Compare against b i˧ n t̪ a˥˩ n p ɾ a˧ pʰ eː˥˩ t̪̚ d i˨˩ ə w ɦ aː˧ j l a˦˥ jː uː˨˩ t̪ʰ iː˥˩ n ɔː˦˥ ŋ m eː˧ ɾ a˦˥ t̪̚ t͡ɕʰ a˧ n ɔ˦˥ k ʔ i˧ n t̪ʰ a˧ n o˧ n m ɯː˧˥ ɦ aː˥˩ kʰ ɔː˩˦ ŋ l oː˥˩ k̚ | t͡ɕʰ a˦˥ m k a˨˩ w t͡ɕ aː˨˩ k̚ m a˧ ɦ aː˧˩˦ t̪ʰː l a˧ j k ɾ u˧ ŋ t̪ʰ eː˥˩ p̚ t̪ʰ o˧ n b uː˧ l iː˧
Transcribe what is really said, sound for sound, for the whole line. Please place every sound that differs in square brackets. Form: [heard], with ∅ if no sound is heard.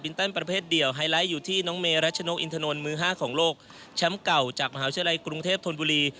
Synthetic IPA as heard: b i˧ n t̪ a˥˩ n p ɾ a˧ pʰ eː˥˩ t̪̚ d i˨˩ ə w ɦ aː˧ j l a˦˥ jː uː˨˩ t̪ʰ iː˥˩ n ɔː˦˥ ŋ m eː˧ ɾ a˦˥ t̪̚ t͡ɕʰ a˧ n [o˦˥] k ʔ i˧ n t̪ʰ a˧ n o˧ n m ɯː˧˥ ɦ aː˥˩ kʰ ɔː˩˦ ŋ l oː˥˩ k̚ | t͡ɕʰ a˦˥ m k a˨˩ w t͡ɕ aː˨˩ k̚ m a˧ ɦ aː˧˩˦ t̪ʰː l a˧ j k ɾ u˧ ŋ t̪ʰ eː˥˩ p̚ t̪ʰ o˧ n b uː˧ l iː˧